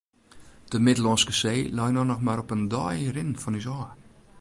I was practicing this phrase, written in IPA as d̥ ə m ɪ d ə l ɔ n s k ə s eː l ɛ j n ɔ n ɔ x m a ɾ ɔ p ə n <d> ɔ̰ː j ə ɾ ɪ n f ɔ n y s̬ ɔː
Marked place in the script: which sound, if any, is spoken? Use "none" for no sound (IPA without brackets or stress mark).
d